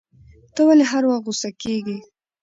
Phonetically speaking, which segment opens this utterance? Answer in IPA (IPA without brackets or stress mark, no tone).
t̪